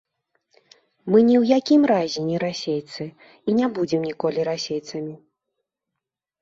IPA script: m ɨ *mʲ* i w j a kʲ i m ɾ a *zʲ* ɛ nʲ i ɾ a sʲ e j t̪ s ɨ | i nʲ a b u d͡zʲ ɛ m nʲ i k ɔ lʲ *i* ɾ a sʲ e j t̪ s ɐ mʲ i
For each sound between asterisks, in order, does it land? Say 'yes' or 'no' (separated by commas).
no, yes, yes